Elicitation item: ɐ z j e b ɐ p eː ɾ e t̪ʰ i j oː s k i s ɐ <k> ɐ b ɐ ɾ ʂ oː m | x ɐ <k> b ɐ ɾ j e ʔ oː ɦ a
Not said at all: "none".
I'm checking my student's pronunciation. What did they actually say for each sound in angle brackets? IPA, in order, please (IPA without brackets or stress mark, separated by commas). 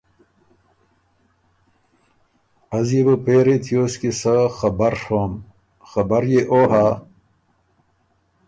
x, none